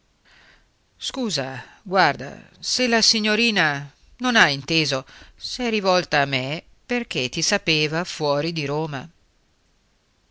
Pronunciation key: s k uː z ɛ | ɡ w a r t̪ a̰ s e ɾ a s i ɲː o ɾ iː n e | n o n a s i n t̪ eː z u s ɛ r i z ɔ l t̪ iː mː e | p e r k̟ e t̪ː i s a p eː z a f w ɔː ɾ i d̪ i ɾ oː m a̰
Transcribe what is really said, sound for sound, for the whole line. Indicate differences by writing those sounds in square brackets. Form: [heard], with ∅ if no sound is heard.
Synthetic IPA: s k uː z [a] | ɡ w a r [d̪] a̰ s e [l] a s i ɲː o ɾ iː n [a] | n o n a [∅] i n t̪ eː z [o] s ɛ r i [v] ɔ l t̪ [aː] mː e | p e r k̟ e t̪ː i s a p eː [v] a f w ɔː ɾ i d̪ i ɾ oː m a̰